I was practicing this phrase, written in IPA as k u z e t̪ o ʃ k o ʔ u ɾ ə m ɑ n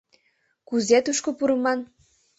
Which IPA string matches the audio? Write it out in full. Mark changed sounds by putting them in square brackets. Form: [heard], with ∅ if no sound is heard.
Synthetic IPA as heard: k u z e t̪ [u] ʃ k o [p] u ɾ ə m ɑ n